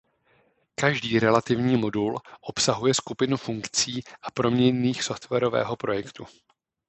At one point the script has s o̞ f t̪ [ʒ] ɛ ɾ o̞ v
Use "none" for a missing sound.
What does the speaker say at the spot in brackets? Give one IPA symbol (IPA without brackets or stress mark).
v